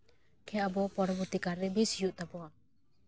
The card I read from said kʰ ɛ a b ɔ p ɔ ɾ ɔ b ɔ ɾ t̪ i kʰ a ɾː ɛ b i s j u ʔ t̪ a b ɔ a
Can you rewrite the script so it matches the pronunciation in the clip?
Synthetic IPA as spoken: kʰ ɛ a b ɔ p ɔ ɾ ɔ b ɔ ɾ t̪ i k a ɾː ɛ b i s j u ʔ t̪ a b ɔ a